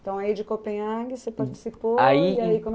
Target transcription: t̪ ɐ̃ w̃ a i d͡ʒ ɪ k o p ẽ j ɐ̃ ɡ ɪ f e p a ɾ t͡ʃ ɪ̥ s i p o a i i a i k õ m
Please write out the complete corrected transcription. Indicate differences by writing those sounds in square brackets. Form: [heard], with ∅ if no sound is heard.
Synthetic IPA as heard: t̪ ɐ̃ w̃ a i d͡ʒ ɪ k o p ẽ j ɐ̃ ɡ ɪ [s] e p a ɾ t͡ʃ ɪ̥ s i p o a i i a i k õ m